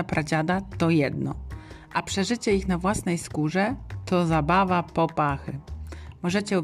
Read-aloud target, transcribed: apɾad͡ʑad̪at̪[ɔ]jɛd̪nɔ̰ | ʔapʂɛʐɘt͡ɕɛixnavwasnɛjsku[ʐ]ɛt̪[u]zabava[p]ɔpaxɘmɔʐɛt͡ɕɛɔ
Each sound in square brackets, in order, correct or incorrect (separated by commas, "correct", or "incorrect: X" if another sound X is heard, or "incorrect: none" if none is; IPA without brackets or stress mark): correct, correct, incorrect: ɔ, correct